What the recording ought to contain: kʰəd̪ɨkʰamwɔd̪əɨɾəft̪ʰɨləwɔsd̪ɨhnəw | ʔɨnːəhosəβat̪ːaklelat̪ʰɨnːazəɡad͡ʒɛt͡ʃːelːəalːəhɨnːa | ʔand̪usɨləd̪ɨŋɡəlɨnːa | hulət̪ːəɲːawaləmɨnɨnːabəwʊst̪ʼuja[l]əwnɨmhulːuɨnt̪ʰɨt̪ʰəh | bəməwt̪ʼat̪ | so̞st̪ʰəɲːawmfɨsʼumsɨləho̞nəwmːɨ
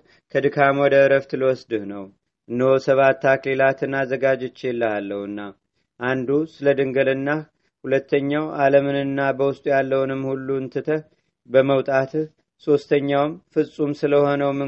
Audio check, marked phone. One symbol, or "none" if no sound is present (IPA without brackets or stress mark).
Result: lː